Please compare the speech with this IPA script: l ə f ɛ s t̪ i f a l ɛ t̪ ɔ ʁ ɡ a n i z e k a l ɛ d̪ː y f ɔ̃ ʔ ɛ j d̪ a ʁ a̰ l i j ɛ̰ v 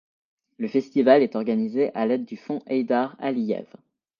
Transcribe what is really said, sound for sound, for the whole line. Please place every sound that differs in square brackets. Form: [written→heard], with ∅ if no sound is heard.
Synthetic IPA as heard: l ə f ɛ s t̪ i [f→v] a l ɛ t̪ ɔ ʁ ɡ a n i z e [k→ʔ] a l ɛ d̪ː y f ɔ̃ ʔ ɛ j d̪ a ʁ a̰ l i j ɛ̰ v